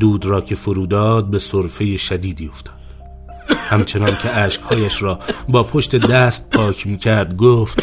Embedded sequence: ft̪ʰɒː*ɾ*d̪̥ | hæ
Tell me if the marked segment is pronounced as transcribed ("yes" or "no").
no